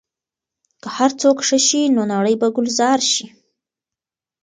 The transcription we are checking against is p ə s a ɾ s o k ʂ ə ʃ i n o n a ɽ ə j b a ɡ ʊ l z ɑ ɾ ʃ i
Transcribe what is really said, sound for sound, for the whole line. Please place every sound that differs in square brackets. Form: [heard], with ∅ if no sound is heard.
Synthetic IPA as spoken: [k] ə [h] a ɾ [t͡s] o k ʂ ə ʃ i n o n a ɽ ə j b a ɡ ʊ l z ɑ ɾ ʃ i

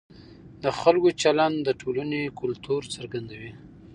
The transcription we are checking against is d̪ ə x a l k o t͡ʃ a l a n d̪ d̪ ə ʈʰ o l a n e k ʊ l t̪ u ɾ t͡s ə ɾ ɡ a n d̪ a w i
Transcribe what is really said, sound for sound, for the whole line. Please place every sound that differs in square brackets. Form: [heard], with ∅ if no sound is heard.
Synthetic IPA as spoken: d̪ ə x a l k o t͡ʃ a l a n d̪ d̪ ə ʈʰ o l a n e k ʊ l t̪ u ɾ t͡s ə ɾ ɡ a n d̪ a w i

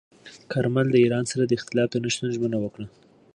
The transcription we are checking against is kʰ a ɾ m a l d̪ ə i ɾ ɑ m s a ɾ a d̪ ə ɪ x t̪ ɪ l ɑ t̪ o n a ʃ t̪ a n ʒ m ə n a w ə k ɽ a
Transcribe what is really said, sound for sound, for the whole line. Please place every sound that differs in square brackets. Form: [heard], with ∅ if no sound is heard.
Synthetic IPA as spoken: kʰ a ɾ m a l d̪ ə i ɾ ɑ [n] s a ɾ a d̪ ə ɪ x t̪ ɪ l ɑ t̪ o n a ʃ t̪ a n ʒ m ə n a w ə k ɽ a

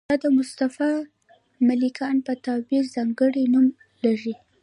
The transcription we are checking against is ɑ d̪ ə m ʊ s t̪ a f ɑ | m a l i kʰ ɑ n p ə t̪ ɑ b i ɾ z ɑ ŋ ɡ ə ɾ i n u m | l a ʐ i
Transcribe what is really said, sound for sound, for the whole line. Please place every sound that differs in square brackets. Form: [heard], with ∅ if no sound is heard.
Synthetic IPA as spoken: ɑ d̪ ə m ʊ s t̪ a f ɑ | m a l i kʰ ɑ n p ə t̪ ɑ b i ɾ z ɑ ŋ ɡ ə [ɽ] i n u m | l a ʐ i

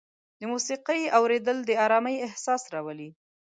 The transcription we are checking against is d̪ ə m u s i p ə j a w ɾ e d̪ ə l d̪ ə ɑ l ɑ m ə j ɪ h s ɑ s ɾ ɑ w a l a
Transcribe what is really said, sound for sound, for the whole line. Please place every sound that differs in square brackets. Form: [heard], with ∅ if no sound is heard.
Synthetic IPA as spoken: d̪ ə m u s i [q] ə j a w ɾ e d̪ ə l d̪ ə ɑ [ɾ] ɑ m ə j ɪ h s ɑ s ɾ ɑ w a l [i]

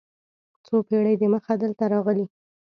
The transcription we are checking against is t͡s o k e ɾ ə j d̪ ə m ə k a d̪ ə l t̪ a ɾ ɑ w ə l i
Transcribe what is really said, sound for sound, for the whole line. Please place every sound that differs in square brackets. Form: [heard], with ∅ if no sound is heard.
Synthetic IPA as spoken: t͡s o [p] e [ɽ] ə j d̪ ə m ə [x] a d̪ ə l t̪ a ɾ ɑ [ɣ] ə l i

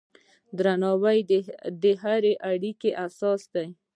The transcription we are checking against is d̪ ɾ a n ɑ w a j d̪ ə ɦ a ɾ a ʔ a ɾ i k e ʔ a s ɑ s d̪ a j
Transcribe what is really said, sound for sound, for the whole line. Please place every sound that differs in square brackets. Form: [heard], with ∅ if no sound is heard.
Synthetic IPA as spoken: d̪ ɾ a n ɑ w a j d̪ ə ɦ a ɾ [e] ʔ a [ɽ] i k e ʔ a s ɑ s d̪ a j

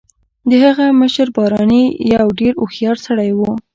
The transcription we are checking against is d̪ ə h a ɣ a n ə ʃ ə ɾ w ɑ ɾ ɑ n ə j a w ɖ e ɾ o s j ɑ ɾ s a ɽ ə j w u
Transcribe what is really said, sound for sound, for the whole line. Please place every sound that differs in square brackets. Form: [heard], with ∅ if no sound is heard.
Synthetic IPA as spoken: d̪ ə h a ɣ a [m] ə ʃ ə ɾ [b] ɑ ɾ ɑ n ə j a w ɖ e ɾ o [x] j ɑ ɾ s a ɽ [a] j w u

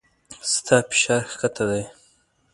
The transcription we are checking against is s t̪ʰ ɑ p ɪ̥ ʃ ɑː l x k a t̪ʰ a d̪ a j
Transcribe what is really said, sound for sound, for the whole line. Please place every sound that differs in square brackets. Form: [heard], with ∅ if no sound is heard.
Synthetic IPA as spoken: s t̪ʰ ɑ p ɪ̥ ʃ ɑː [ɾ] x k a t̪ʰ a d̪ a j

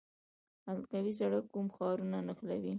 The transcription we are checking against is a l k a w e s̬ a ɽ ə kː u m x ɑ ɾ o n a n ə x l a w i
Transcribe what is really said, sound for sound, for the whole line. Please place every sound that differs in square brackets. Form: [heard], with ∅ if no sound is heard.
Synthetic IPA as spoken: a l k a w [i] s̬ a ɽ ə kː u m x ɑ ɾ [u] n a n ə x l a w i

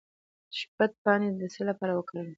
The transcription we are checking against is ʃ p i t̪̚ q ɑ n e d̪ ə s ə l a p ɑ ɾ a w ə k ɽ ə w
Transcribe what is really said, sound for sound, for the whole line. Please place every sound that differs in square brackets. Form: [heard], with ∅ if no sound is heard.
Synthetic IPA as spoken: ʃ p [a] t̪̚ [p] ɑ n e d̪ ə s ə l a p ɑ ɾ a w ə k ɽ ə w

